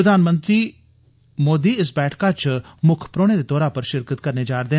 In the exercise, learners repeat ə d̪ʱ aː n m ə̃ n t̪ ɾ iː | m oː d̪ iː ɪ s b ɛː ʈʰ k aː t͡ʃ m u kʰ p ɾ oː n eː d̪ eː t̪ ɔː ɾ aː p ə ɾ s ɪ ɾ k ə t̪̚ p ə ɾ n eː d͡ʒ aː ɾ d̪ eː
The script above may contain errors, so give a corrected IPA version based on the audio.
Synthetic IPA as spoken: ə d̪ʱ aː n m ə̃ n t̪ ɾ iː | m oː d̪ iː ɪ s b ɛː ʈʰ k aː t͡ʃ m ʊ kʰ p ɾ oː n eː d̪ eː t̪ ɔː ɾ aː p ə ɾ ʃ ɪ ɾ k ə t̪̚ k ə ɾ n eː d͡ʒ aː ɾ d̪ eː